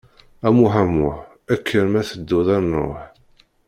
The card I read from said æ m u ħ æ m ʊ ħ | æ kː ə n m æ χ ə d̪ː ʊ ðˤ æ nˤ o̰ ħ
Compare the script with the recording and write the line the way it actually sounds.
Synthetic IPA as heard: æ m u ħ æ m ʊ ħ | æ kː ə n m æ θ ə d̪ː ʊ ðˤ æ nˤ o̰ ħ